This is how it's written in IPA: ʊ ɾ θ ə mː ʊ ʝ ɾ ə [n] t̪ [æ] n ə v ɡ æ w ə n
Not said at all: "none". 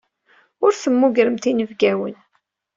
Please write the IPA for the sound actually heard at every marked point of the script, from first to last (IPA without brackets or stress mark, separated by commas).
m, i